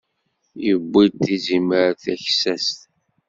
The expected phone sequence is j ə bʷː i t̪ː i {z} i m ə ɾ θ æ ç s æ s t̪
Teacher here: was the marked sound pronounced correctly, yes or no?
yes